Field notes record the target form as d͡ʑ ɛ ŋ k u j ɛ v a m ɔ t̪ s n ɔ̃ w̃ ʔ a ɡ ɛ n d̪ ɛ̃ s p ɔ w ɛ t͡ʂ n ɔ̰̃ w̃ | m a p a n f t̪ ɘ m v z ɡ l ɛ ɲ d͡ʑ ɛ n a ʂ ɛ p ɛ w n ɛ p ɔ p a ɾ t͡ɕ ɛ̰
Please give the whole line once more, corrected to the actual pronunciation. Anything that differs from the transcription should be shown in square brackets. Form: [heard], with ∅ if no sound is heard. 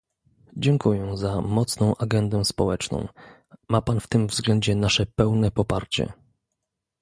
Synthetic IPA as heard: d͡ʑ ɛ ŋ k u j ɛ [z] a m ɔ t̪ s n ɔ̃ w̃ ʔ a ɡ ɛ n d̪ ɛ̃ s p ɔ w ɛ t͡ʂ n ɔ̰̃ w̃ | m a p a n f t̪ ɘ m v z ɡ l ɛ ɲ d͡ʑ ɛ n a ʂ ɛ p ɛ w n ɛ p ɔ p a ɾ t͡ɕ ɛ̰